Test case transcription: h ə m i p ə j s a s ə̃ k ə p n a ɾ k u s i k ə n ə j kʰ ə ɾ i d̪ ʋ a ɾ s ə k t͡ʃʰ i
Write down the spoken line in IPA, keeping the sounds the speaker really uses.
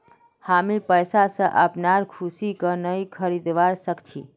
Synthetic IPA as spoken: h a m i p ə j s a s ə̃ ʔ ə p n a ɾ kʰ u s i k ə n ə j kʰ ə ɾ i d̪ ʋ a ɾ s ə k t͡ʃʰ i

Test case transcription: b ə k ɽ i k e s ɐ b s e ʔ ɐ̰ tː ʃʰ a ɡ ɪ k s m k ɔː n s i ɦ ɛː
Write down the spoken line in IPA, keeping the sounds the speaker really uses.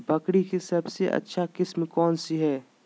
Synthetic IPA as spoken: b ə k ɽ i k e s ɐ b s e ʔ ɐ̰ tː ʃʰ a k ɪ s m k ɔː n s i ɦ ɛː

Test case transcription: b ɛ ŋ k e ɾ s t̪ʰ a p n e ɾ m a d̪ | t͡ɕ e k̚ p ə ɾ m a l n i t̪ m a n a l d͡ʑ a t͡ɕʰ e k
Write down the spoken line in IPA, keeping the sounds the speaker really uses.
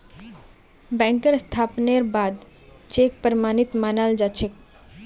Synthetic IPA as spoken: b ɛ ŋ k e ɾ s t̪ʰ a p n e ɾ b a d̪ | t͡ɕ e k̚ p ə ɾ m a n i t̪ m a n a l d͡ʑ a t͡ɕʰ e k

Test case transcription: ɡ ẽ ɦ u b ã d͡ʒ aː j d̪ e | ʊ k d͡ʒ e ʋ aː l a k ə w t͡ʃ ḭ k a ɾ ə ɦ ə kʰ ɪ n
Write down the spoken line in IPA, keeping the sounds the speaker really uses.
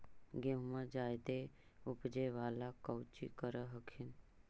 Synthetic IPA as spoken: ɡ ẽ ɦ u m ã d͡ʒ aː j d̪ e | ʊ p d͡ʒ e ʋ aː l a k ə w t͡ʃ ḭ k ə ɾ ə ɦ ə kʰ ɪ n

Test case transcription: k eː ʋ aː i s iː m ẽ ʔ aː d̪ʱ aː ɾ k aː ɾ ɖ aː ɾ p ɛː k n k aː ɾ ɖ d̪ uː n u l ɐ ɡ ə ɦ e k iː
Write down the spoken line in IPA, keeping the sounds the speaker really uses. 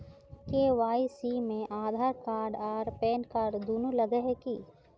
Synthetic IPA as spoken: k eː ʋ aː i s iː m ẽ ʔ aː d̪ʱ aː ɾ k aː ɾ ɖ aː ɾ p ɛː n k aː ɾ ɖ d̪ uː n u l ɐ ɡ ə ɦ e k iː

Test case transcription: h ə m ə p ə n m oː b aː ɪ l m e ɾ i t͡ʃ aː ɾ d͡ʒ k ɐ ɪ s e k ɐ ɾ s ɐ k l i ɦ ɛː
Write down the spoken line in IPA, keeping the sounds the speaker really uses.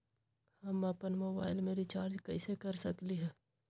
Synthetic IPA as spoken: h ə m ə p ə n m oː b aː ɪ l m e ɾ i t͡ʃ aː ɾ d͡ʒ k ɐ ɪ s e k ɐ ɾ s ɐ k l i ɦ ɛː

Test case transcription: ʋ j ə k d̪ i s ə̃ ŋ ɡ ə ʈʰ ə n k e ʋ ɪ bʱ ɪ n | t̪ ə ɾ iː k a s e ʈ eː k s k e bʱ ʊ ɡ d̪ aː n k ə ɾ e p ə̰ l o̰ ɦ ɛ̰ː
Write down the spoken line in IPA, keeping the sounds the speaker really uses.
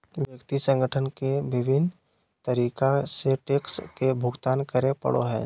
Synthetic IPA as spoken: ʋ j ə k t̪ i s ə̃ ŋ ɡ ə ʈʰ ə n k e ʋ ɪ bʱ ɪ n | t̪ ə ɾ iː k a s e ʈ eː k s k e bʱ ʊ ɡ t̪ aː n k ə ɾ e p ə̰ ɽ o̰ ɦ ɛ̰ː

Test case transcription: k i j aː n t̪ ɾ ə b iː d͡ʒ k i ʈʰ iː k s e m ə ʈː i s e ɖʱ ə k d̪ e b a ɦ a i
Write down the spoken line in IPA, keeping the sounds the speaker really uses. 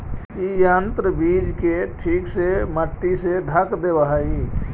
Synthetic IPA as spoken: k i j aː n t̪ ɾ ə b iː d͡ʒ k e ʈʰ iː k s e m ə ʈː i s e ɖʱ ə k d̪ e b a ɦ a i

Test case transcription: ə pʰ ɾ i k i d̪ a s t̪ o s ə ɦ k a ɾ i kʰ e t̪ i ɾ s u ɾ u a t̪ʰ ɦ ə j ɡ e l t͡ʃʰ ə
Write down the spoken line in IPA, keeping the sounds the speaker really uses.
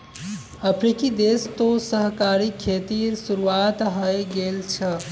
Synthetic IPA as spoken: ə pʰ ɾ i k i d̪ e s t̪ o s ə ɦ k a ɾ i kʰ e t̪ i ɾ s u ɾ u a t̪ ɦ ə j ɡ e l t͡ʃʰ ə

